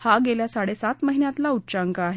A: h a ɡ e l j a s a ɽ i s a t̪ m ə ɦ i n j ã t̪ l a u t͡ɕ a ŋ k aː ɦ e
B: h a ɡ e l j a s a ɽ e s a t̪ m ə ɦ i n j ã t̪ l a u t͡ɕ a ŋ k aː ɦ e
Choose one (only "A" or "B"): B